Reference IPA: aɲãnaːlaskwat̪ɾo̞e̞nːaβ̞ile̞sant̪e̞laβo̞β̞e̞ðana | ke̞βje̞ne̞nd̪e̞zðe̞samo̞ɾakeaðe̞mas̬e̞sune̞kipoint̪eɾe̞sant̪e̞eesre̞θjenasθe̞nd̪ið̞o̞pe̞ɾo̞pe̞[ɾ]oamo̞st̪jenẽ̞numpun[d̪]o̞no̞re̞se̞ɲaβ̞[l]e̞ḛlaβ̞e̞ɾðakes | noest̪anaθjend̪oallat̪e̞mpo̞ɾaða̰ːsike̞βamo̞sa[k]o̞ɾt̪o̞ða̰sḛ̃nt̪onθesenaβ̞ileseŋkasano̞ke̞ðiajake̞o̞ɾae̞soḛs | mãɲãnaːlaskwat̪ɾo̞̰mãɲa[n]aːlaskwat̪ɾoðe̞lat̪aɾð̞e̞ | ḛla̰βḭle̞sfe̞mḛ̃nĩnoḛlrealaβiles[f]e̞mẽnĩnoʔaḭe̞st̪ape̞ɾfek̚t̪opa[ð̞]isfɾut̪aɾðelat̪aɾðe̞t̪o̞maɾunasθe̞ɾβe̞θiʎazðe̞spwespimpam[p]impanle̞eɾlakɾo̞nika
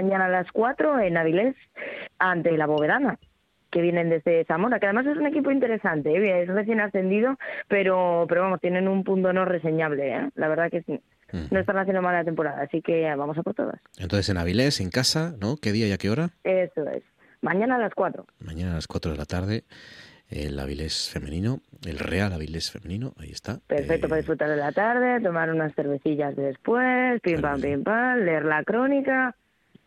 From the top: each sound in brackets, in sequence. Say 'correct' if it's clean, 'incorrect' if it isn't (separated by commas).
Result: correct, incorrect, correct, incorrect, correct, correct, correct, correct